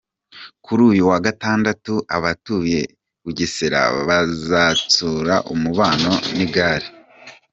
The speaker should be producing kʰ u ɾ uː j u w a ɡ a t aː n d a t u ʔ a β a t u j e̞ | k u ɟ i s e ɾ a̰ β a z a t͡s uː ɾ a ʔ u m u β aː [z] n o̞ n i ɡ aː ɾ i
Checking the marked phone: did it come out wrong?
yes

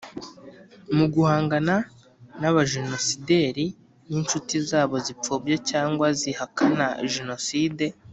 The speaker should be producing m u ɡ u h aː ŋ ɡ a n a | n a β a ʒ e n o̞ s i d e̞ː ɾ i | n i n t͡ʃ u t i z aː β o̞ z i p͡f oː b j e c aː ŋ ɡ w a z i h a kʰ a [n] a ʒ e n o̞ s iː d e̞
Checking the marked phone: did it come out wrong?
no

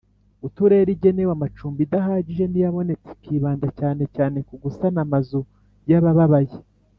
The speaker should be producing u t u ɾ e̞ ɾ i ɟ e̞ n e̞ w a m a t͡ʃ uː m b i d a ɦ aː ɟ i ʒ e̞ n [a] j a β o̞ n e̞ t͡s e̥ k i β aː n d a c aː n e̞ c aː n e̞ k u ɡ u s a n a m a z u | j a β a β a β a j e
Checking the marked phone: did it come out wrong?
yes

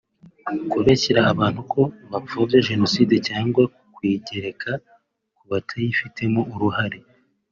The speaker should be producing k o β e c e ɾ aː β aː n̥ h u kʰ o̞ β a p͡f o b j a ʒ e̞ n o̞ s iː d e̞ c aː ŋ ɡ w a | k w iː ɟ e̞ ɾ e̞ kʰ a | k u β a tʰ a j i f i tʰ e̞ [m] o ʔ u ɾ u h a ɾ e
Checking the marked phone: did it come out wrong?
no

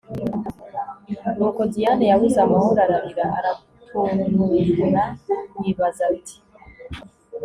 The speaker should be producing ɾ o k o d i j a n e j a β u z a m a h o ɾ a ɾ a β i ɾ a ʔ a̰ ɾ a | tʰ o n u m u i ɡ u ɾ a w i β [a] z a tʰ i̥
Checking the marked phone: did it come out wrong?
no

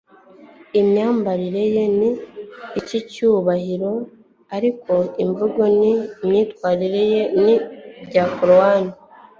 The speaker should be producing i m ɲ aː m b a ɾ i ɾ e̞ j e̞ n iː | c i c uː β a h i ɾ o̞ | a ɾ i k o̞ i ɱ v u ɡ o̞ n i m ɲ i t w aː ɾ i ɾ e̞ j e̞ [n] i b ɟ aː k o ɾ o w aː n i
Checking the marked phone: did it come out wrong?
no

